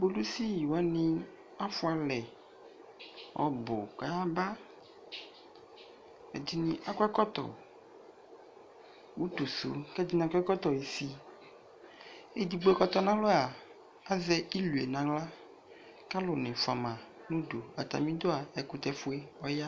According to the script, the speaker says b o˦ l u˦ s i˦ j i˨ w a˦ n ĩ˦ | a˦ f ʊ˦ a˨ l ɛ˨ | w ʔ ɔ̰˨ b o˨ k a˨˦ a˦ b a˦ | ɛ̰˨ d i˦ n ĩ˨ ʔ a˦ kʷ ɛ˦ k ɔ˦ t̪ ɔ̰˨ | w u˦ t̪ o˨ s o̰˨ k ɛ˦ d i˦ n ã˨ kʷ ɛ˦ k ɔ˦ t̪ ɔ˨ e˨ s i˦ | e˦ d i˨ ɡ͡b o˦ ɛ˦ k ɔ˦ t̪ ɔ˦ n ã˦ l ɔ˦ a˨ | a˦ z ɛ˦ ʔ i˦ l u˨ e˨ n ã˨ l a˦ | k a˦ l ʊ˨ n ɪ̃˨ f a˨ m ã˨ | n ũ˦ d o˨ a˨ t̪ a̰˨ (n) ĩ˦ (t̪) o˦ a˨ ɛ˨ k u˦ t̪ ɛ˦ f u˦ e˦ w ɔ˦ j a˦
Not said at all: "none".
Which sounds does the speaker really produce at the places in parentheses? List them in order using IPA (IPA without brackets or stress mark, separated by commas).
m, d̪